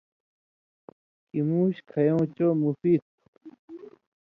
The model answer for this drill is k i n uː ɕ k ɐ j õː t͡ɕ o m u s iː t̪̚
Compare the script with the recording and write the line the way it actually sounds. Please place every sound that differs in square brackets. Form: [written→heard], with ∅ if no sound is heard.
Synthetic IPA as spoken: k i [n→m] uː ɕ [k→kʰ] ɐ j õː t͡ɕ o m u [s→f] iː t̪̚